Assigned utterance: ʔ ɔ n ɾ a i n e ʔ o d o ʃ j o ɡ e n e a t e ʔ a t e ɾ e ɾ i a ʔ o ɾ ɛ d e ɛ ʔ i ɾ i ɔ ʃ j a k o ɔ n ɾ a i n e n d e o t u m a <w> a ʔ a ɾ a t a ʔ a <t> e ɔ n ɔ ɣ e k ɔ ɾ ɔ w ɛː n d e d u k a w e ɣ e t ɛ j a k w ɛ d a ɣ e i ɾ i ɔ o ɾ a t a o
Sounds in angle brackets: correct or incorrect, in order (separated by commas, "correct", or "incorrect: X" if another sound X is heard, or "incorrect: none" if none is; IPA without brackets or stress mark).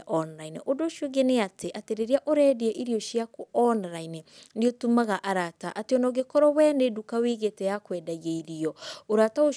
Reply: incorrect: ɣ, correct